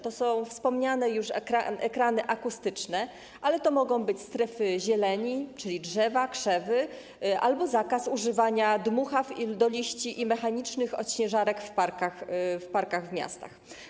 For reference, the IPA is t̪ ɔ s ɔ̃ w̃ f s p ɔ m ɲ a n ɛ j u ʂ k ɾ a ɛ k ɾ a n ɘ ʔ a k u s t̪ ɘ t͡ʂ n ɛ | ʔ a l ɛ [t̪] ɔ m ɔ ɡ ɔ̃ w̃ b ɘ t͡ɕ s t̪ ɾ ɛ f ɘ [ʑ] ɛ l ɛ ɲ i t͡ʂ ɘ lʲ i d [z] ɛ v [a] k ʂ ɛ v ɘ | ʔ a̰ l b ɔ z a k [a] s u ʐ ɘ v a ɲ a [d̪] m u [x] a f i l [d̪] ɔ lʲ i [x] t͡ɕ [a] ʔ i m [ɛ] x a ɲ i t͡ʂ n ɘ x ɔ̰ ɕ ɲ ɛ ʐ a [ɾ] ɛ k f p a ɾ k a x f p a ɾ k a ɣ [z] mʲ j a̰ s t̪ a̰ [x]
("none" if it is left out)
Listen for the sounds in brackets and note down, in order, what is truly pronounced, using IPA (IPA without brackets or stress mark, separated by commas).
t̪, ʑ, ʐ, a, a, d̪, x, d̪, ɕ, i, ɛ, ɾ, v, x